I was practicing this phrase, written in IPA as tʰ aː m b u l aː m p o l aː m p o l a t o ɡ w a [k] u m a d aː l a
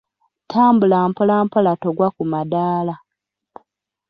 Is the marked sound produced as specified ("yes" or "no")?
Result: yes